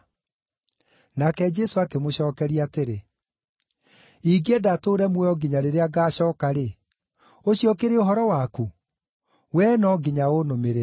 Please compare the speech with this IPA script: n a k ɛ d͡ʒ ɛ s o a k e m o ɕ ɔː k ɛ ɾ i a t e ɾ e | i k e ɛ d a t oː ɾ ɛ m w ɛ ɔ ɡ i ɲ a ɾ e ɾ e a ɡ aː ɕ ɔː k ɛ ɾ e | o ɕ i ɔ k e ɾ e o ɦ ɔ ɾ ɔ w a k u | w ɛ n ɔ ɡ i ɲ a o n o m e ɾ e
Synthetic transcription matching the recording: n a k ɛ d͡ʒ ɛ s o a k e m o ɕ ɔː k ɛ ɾ i a t e ɾ e | i ɡ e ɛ d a t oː ɾ ɛ m w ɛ ɔ ɡ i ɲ a ɾ e ɾ e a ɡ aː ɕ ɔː k a ɾ e | o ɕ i ɔ k e ɾ e o ɦ ɔ ɾ ɔ w a k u | w ɛ n ɔ ɡ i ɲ a o n o m e ɾ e